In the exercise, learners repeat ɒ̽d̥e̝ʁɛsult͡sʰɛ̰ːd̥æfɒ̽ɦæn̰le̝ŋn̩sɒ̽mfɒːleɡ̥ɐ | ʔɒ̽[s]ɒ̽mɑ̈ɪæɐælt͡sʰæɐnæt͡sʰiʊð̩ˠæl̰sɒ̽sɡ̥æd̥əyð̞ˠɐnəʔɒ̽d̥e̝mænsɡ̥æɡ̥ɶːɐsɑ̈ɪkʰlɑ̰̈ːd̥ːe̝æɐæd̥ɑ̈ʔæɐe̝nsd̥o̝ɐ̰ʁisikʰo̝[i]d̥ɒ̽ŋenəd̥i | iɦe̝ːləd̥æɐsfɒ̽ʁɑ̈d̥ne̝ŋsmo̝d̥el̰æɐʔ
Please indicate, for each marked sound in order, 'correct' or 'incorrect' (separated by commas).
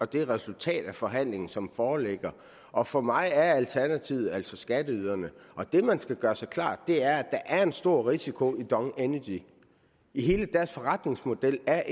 incorrect, correct